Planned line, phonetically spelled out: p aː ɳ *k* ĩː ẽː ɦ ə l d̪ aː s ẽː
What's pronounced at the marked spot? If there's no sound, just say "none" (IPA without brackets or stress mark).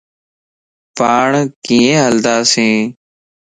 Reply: k